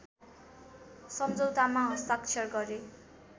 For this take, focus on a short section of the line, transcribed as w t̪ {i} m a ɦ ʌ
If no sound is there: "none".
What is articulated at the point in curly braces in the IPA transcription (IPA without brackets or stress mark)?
a